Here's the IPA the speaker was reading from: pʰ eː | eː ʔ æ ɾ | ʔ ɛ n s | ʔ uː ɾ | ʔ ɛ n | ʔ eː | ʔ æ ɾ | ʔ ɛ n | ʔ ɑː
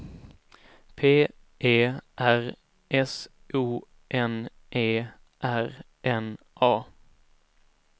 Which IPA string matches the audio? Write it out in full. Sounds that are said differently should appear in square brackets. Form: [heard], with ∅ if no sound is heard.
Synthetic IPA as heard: pʰ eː | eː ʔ æ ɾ | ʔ ɛ [∅] s | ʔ uː [∅] | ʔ ɛ n | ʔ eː | ʔ æ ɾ | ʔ ɛ n | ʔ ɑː